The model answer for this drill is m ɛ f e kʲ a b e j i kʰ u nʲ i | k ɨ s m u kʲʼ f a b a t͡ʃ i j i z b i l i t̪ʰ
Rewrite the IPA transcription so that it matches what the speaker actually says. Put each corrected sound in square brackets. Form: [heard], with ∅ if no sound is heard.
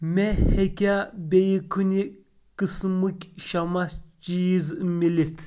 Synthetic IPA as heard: m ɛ [h] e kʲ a b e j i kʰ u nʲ i | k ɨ s m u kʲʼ [ʃ] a [m] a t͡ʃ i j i z [m] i l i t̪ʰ